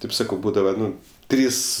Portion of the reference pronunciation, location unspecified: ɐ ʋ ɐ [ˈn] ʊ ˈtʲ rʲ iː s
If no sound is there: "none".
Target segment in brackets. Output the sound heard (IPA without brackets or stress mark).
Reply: n